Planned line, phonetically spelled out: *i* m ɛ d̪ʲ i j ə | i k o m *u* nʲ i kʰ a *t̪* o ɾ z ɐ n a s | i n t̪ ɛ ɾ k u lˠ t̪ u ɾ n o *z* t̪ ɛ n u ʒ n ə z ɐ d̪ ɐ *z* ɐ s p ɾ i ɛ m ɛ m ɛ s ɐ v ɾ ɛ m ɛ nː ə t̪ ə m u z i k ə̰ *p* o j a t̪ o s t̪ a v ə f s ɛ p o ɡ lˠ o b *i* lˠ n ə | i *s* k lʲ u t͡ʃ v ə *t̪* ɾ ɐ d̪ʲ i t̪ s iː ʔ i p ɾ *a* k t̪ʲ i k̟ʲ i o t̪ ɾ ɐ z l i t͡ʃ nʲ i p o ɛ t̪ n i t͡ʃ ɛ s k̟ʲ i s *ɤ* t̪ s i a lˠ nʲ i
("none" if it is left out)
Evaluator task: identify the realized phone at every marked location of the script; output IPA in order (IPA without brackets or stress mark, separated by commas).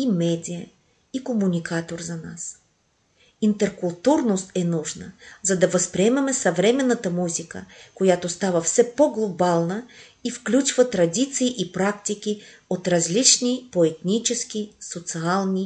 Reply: i, u, t̪, s, v, k, a, f, t̪, a, o